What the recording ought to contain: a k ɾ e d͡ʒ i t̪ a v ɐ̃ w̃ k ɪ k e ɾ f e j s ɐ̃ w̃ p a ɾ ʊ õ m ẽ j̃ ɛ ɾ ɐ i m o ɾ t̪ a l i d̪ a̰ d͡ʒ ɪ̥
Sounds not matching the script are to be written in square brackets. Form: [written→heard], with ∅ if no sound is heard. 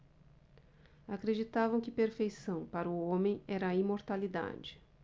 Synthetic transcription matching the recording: a k ɾ e d͡ʒ i t̪ a v ɐ̃ w̃ k ɪ [k→p] e ɾ f e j s ɐ̃ w̃ p a ɾ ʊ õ m ẽ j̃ ɛ ɾ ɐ i m o ɾ t̪ a l i d̪ a̰ d͡ʒ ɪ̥